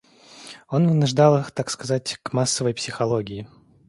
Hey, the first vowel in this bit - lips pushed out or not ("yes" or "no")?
yes